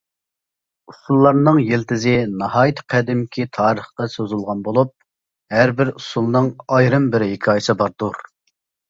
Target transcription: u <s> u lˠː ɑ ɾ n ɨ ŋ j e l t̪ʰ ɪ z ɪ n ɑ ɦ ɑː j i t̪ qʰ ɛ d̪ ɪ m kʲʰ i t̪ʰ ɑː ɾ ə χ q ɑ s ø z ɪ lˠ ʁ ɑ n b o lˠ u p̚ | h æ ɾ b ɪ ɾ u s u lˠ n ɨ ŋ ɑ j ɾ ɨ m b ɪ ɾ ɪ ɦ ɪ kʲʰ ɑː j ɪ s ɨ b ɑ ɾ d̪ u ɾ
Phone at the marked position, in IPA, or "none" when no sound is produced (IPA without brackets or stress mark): s